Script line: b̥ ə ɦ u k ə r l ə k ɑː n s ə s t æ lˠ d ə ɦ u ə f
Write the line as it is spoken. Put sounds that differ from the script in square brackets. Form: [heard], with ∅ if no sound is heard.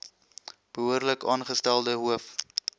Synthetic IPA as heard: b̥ ə ɦ u [∅] ə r l ə k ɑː n [χ] ə s t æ lˠ d ə ɦ u ə f